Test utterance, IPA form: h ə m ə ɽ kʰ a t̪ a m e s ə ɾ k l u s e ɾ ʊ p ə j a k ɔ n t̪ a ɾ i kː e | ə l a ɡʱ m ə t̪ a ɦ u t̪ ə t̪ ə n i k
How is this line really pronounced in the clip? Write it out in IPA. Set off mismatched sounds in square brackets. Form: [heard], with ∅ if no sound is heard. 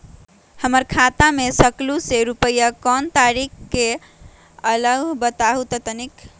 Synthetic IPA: h ə m ə [ɾ] kʰ a t̪ a m e s ə [∅] k l u s e ɾ [u] p ə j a k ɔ n t̪ a ɾ i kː e | ə l [ə] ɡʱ [b] ə t̪ a ɦ u t̪ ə t̪ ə n i k